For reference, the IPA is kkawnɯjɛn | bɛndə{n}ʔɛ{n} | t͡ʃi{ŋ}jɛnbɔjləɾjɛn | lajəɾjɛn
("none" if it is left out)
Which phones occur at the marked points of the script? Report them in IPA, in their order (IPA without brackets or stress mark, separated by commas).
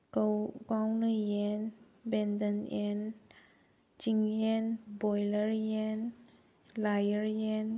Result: n, n, ŋ